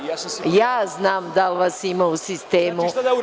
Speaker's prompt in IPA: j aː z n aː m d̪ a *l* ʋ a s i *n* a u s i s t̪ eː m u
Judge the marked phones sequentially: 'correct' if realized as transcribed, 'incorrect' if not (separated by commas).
correct, incorrect